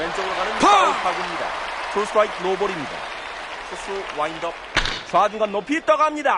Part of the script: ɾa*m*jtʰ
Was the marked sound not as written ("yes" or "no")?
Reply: yes